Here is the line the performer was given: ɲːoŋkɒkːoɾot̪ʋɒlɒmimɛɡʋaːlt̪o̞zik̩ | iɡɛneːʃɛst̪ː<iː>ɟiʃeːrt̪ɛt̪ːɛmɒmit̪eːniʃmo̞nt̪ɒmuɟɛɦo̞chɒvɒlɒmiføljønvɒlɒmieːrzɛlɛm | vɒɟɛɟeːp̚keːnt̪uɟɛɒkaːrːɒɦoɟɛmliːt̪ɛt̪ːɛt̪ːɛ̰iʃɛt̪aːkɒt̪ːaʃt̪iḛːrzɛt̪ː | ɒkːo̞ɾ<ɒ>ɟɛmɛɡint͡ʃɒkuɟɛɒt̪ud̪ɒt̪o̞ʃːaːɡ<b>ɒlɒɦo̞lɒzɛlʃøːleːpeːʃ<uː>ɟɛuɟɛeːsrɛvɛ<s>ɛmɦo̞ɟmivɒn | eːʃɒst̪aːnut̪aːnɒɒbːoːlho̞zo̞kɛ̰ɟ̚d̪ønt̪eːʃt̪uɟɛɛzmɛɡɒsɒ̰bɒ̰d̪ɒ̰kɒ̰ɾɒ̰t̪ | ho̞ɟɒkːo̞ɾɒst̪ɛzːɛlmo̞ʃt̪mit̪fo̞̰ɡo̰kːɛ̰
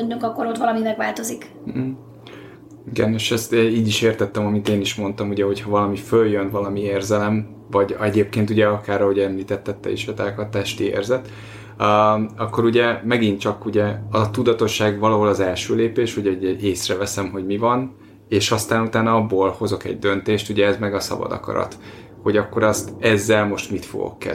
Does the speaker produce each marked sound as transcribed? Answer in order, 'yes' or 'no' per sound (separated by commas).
yes, no, no, no, yes